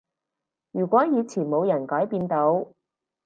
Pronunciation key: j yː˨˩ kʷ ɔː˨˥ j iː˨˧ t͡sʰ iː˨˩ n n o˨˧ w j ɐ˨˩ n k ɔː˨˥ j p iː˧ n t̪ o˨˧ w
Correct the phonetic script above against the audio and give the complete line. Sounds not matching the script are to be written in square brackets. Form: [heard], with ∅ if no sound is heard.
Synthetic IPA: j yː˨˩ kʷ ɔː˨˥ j iː˨˧ t͡sʰ iː˨˩ n [m] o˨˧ w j ɐ˨˩ n k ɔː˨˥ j p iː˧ n t̪ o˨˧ w